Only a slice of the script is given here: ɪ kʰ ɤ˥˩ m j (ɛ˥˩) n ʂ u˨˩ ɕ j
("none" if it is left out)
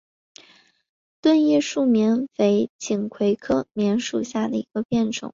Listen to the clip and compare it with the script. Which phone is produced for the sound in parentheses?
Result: ɛ˧˥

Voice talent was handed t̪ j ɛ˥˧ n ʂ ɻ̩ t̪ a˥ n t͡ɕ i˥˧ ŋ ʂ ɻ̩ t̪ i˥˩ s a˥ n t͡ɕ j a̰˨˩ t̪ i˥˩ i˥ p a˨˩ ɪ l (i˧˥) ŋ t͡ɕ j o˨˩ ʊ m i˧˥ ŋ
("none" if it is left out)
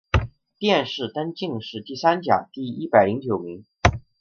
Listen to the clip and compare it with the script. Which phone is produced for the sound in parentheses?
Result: i˧˥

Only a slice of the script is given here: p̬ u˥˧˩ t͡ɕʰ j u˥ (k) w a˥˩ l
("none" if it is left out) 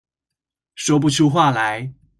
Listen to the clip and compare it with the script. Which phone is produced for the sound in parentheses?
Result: x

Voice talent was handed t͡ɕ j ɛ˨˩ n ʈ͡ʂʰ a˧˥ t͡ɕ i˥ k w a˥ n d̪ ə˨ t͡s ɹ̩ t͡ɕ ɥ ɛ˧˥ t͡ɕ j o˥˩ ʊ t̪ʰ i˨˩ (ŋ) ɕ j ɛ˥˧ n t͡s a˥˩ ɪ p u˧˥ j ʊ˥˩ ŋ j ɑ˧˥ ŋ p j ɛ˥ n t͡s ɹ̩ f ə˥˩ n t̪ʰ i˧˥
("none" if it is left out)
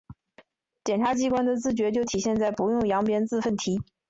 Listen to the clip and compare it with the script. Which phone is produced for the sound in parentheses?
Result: none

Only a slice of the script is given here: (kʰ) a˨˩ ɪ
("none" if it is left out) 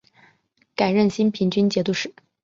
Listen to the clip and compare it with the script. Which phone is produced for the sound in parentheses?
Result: k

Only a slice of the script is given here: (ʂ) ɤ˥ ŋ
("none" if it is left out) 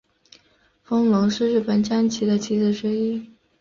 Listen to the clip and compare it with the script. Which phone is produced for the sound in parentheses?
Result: f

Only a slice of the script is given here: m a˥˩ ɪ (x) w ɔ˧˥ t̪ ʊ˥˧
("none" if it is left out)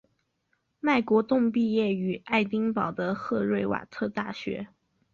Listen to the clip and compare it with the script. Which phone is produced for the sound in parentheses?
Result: k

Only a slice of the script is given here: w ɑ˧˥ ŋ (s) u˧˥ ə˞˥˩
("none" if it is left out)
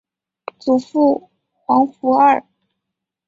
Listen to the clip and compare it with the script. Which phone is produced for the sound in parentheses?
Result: f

